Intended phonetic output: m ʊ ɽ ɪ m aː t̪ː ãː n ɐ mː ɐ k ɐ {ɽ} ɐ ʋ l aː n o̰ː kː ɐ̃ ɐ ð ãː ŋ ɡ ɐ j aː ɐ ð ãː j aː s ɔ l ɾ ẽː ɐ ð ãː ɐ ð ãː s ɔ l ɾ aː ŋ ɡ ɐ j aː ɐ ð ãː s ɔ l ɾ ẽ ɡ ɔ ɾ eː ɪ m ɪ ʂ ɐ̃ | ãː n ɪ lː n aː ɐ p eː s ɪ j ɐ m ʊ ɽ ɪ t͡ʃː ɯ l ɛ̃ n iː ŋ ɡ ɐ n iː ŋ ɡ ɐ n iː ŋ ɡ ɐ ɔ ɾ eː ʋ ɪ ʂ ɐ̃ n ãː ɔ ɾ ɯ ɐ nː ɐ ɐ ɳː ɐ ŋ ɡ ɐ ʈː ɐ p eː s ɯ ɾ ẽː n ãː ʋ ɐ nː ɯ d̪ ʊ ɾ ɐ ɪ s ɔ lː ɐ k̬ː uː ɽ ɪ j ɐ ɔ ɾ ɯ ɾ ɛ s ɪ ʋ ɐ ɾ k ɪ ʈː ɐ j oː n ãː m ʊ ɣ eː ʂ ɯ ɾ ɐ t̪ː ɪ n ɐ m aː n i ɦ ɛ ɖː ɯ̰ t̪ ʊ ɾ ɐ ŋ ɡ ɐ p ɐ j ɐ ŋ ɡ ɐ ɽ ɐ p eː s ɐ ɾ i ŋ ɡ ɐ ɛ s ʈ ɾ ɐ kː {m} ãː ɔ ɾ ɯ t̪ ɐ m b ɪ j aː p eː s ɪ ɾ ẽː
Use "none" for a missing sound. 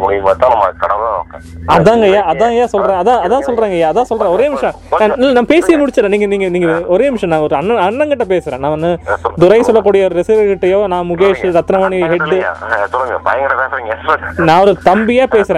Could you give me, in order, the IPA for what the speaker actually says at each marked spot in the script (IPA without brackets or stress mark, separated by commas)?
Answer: ɽ, n